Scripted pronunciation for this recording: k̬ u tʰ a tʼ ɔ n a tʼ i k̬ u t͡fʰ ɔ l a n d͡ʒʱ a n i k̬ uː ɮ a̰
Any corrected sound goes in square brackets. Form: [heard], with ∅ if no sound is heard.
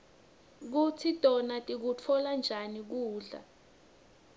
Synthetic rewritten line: k̬ u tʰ [i] tʼ ɔ n a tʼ i k̬ u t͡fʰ ɔ l a n d͡ʒʱ a n i k̬ uː ɮ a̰